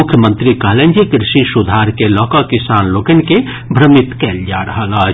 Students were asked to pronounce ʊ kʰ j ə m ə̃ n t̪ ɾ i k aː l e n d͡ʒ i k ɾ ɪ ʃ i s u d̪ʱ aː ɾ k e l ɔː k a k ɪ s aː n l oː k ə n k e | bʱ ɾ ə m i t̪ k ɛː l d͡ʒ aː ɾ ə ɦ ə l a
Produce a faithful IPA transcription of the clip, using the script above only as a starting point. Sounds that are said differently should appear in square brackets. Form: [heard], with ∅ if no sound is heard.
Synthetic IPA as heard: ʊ kʰ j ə m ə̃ n t̪ ɾ i k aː l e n d͡ʒ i k ɾ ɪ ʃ i s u d̪ʱ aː ɾ k e l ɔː k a k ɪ s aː n l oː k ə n k e | bʱ ɾ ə m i t̪ k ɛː l d͡ʒ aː ɾ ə ɦ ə l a